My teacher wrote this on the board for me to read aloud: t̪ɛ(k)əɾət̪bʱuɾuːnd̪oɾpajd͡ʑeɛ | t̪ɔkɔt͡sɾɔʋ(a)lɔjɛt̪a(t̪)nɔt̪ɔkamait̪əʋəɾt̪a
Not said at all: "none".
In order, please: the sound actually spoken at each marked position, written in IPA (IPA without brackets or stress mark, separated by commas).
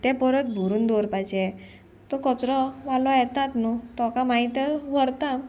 p, a, t̪